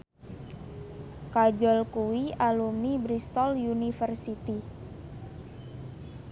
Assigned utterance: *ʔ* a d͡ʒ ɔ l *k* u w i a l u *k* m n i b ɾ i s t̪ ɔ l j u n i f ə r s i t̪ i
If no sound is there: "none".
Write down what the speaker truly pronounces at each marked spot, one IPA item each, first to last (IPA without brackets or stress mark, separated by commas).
k, k, none